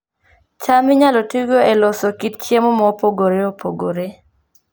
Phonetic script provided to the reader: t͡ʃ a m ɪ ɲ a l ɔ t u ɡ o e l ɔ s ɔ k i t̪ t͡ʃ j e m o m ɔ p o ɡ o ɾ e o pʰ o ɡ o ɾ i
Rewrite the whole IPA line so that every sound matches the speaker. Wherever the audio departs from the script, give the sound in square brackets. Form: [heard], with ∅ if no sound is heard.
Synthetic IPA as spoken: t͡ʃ a m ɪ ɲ a l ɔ t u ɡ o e l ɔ s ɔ k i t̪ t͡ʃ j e m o m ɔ p o ɡ o ɾ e o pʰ o ɡ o ɾ [e]